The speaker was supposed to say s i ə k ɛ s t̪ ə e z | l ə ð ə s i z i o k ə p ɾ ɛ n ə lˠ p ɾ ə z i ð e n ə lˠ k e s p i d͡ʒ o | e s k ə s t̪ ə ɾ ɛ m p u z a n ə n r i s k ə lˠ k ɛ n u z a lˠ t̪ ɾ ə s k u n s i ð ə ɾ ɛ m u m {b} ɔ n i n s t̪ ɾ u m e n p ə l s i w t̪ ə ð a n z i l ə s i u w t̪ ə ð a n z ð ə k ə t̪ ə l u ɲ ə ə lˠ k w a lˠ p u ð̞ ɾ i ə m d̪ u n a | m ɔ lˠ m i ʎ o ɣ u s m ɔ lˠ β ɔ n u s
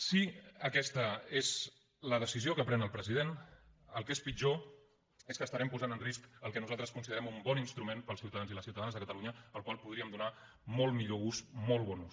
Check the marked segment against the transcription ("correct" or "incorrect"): correct